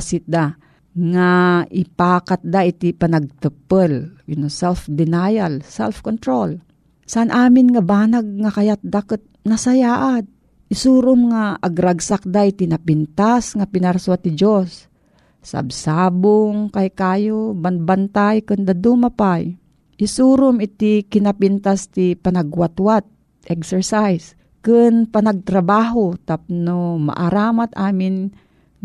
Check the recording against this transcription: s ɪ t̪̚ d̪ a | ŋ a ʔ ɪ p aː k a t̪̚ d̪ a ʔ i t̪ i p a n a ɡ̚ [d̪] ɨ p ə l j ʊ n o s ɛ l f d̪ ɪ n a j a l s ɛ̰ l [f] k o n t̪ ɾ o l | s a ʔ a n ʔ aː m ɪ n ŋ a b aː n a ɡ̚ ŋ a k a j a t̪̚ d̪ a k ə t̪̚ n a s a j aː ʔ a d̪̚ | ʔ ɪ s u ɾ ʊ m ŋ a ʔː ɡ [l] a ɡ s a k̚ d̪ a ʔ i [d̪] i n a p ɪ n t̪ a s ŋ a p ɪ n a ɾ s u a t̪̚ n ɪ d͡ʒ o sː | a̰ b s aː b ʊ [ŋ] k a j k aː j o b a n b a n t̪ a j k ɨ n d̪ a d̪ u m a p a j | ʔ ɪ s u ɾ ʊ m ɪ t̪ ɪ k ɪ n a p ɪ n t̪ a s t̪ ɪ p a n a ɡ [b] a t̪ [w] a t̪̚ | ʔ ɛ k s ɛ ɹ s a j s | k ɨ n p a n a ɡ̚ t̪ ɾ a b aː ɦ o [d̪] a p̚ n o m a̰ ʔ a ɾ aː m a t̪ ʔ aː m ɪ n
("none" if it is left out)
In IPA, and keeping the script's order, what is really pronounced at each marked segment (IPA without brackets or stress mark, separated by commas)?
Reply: t̪, f, ɾ, t̪, ŋ, w, w, t̪